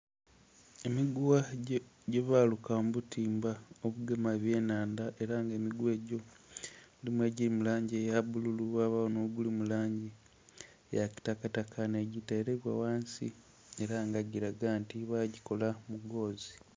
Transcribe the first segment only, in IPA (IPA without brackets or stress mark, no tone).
e